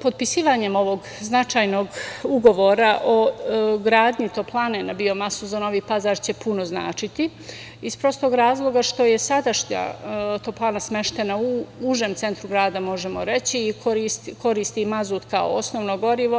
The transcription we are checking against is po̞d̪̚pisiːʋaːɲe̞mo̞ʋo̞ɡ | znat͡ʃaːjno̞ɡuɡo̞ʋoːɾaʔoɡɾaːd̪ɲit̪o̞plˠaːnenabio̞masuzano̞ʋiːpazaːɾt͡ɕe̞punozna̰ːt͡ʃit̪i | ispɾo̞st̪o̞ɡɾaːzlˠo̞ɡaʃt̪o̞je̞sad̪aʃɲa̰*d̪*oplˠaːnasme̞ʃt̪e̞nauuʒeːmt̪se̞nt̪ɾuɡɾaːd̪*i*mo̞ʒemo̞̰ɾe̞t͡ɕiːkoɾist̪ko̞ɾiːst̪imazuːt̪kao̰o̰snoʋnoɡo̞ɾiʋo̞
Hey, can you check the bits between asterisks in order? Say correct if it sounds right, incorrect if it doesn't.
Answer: incorrect, incorrect

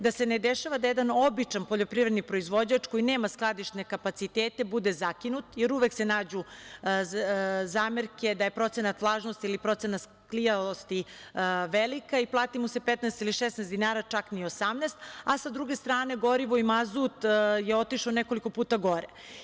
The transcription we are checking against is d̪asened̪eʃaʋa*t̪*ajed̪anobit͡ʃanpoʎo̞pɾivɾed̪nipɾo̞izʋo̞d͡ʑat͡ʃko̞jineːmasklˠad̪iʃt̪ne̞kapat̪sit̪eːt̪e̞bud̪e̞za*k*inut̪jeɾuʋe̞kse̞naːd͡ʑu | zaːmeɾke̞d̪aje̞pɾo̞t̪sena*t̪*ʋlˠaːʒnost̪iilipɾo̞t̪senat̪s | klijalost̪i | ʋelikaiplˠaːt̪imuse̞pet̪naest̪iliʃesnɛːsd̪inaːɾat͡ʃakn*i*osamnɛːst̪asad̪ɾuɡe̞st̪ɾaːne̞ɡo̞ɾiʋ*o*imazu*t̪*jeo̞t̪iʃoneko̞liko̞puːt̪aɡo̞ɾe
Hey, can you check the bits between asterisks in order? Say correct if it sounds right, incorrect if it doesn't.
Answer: incorrect, correct, correct, correct, correct, correct

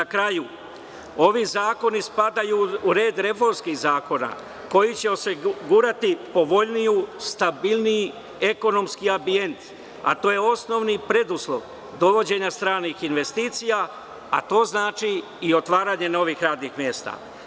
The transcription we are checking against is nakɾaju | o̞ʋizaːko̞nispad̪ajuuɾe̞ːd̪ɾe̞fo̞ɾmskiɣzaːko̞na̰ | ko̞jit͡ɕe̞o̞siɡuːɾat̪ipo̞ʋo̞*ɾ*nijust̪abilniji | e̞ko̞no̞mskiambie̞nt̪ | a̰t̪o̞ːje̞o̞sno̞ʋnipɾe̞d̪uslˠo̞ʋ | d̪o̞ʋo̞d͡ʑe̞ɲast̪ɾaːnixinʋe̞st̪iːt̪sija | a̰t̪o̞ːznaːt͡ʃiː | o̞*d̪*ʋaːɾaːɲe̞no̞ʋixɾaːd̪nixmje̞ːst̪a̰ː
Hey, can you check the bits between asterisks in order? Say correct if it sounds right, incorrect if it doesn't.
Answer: incorrect, incorrect

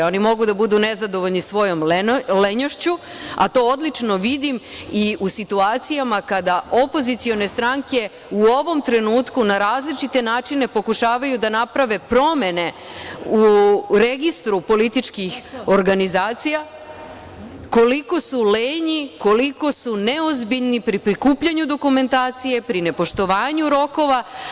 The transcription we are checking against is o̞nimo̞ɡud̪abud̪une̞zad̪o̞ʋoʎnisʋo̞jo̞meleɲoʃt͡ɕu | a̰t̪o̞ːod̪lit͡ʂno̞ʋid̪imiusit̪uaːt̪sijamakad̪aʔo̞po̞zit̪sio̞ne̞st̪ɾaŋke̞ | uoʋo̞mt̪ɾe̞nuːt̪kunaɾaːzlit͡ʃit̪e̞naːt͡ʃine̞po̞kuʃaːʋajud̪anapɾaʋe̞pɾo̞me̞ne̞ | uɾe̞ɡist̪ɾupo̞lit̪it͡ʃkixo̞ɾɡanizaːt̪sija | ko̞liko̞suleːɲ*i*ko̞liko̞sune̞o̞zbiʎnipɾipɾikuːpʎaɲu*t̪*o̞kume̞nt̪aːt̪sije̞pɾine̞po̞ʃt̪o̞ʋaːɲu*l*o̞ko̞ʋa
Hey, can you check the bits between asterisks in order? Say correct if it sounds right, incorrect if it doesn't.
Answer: correct, incorrect, incorrect

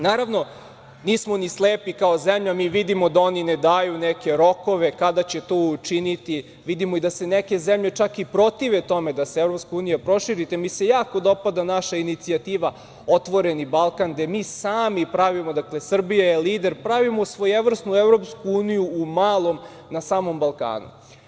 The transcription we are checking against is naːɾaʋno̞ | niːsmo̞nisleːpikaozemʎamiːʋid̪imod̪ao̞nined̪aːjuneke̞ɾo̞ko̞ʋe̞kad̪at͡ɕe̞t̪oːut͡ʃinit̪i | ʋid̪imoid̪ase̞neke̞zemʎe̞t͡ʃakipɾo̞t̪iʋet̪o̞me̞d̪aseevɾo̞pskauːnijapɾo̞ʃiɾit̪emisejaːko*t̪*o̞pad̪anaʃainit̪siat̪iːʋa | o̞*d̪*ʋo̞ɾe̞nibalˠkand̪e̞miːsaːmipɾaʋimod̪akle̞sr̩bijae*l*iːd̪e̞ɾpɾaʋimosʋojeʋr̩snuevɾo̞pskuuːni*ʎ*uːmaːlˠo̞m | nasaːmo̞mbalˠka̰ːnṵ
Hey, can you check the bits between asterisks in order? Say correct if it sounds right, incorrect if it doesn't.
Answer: incorrect, incorrect, correct, incorrect

